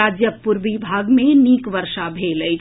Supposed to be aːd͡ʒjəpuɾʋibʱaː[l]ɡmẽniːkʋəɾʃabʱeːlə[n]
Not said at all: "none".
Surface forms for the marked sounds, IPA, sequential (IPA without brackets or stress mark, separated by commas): none, none